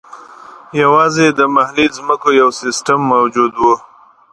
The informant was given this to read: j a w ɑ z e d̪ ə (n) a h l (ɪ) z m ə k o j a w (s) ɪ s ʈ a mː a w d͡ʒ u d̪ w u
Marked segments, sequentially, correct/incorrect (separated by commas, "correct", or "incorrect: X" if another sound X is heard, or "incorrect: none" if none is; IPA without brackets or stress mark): incorrect: m, incorrect: i, correct